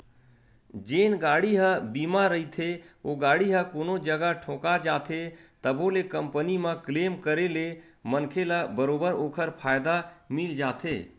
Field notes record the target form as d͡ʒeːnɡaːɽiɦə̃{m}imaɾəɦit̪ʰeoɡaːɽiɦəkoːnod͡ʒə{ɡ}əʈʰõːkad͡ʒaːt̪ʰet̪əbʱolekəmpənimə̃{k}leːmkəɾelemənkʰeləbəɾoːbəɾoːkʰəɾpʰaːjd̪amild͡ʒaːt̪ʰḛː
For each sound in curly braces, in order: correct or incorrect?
incorrect, correct, correct

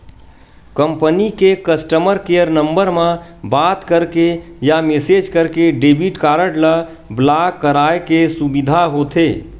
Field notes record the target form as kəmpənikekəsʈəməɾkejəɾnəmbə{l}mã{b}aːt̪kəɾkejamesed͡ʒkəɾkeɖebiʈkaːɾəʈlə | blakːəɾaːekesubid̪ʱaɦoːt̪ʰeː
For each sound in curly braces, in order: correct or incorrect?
incorrect, correct

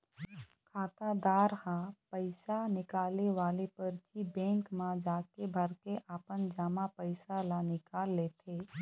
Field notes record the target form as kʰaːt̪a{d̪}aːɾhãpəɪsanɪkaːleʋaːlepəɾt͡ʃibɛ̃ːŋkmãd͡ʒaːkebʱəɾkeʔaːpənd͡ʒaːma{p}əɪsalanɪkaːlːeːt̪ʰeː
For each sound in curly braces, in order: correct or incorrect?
correct, correct

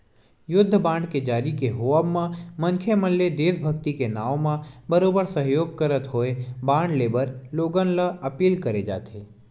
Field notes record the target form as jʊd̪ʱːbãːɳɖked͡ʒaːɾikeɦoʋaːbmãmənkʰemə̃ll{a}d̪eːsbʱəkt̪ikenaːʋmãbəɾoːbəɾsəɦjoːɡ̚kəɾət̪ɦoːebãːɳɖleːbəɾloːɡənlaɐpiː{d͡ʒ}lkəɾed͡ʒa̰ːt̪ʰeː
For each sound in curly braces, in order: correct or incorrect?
incorrect, incorrect

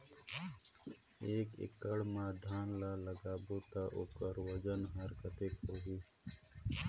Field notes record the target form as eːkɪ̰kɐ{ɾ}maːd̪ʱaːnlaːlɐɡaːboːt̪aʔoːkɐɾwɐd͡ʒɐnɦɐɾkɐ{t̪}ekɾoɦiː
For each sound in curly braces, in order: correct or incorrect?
incorrect, correct

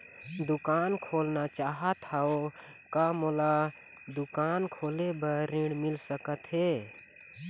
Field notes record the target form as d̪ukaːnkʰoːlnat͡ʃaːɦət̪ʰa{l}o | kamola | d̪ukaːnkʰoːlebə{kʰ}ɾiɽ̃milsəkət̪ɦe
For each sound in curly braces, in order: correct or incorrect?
incorrect, incorrect

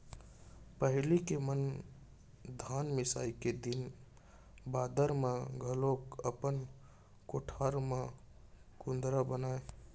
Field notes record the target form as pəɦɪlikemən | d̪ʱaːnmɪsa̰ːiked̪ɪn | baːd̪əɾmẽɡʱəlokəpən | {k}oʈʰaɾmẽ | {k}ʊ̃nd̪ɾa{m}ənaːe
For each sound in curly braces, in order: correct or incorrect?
correct, correct, incorrect

